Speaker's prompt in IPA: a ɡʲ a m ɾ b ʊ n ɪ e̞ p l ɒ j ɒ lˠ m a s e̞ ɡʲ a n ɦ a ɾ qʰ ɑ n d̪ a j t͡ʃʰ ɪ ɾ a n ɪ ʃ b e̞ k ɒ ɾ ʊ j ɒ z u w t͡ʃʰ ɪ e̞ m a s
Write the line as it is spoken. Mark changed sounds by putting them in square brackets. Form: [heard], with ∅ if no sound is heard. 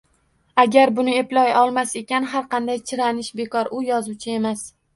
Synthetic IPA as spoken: a ɡʲ a [∅] ɾ b ʊ n ɪ e̞ p l ɒ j ɒ lˠ m a s e̞ [kʲ] a n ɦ a ɾ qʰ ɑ n d̪ a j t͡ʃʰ ɪ ɾ a n ɪ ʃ b e̞ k ɒ ɾ ʊ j ɒ z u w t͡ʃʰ ɪ e̞ m a s